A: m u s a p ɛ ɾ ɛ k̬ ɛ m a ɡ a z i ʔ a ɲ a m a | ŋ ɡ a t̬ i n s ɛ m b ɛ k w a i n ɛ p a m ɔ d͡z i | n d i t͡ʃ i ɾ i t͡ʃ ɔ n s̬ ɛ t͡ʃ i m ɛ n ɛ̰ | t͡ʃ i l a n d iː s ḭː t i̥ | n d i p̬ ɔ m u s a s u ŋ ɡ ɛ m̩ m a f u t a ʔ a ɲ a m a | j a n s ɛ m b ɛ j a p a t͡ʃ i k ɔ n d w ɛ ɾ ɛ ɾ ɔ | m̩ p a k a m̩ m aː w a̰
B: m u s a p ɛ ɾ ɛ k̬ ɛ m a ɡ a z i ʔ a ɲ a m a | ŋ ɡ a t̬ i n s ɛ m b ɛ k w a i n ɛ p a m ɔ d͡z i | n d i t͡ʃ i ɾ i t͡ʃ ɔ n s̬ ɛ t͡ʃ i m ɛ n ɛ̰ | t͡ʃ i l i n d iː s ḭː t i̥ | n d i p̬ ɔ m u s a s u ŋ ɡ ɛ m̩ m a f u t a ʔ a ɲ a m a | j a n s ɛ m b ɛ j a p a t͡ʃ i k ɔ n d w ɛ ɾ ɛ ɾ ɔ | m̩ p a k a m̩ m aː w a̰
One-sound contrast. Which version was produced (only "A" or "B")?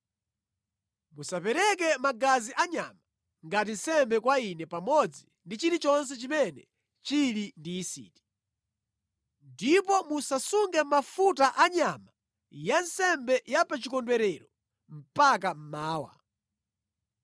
B